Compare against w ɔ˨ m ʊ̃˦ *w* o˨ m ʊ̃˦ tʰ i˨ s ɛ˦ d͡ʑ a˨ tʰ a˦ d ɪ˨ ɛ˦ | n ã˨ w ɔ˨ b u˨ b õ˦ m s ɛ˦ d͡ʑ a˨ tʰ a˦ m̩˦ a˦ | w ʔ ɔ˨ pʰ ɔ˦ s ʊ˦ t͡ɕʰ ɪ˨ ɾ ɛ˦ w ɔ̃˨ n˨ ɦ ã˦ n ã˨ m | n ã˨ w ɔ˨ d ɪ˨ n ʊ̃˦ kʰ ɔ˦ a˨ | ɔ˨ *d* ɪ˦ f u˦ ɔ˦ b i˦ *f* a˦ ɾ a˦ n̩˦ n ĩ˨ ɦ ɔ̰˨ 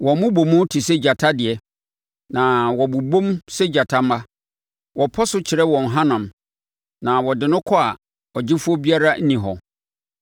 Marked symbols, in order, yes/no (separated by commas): no, no, no